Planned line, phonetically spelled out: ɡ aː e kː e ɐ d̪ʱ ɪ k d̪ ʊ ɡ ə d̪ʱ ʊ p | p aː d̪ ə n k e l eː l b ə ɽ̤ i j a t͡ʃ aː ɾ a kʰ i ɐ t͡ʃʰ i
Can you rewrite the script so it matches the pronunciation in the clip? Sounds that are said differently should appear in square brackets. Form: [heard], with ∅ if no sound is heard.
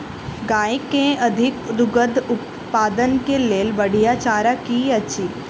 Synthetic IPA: ɡ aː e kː e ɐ d̪ʱ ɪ k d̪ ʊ ɡ ə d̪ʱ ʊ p | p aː d̪ ə n k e l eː l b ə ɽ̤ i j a t͡ʃ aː ɾ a [k] i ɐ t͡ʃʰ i

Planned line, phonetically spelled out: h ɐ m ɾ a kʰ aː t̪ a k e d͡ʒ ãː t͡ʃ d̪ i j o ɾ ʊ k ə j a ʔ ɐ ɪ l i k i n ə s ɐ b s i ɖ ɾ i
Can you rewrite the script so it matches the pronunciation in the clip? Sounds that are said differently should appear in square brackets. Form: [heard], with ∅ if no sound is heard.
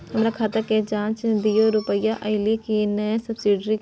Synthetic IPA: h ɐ m ɾ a kʰ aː t̪ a k e d͡ʒ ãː t͡ʃ d̪ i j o ɾ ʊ [p] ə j a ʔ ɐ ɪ l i k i n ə s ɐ b s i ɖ ɾ i

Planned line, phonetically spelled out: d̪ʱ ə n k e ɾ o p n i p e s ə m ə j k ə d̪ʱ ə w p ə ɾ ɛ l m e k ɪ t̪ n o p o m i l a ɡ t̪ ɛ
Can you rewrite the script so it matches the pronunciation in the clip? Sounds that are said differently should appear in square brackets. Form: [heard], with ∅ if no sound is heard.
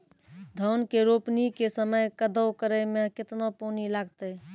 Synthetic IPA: d̪ʱ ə n k e ɾ o p n i [k] e s ə m ə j k ə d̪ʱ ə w [k] ə ɾ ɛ [∅] m e k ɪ t̪ n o p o [n] i l a ɡ t̪ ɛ

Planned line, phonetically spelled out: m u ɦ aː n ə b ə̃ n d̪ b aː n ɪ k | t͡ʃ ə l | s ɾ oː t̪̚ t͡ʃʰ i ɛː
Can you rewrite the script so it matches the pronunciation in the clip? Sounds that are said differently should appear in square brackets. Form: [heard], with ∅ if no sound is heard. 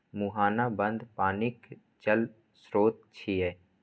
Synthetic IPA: m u ɦ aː n [a] b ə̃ n d̪ [p] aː n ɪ k | t͡ʃ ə l | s ɾ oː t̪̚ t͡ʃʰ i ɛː

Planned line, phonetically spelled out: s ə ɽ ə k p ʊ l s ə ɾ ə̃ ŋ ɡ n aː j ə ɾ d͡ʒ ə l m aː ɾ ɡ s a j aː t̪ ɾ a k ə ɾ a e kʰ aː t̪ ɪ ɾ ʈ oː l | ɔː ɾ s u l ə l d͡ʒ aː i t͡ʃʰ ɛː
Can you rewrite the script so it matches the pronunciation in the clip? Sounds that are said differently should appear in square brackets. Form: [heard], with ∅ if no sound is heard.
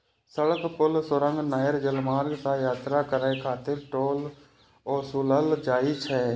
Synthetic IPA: s ə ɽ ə k p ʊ l s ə ɾ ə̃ ŋ ɡ n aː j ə ɾ d͡ʒ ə l m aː ɾ ɡ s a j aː t̪ ɾ a k ə ɾ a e kʰ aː t̪ ɪ ɾ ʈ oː l | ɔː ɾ s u l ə l d͡ʒ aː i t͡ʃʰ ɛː

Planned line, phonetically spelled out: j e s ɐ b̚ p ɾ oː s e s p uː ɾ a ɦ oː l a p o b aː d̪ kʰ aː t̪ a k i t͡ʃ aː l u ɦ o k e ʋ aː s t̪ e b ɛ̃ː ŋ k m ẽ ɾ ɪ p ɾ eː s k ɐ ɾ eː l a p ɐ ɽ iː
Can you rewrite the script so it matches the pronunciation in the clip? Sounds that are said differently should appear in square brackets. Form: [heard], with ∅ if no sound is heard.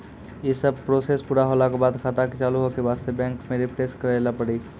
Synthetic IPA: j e s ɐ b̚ p ɾ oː s e s p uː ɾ a ɦ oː l a [k] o b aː d̪ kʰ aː t̪ a k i t͡ʃ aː l u ɦ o k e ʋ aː s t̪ e b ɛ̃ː ŋ k m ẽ ɾ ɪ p ɾ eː s k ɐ ɾ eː l a p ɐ ɽ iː

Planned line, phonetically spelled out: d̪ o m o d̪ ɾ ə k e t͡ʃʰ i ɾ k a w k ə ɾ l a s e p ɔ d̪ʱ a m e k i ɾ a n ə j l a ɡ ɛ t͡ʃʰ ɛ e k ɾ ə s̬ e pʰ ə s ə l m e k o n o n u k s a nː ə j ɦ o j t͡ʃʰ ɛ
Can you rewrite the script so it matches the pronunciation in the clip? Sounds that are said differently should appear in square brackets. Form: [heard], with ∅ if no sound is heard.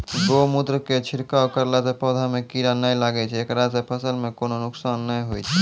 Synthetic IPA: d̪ o m [u] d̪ ɾ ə k e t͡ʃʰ i ɾ k a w k ə ɾ l a s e p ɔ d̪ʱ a m e k i ɾ a n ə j l a ɡ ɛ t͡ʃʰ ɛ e k ɾ [a] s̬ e pʰ ə s ə l m e k o n o n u k s a nː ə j ɦ o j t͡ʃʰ ɛ

